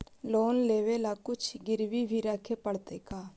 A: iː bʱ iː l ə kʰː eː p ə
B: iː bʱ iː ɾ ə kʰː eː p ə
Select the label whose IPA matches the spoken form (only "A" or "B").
B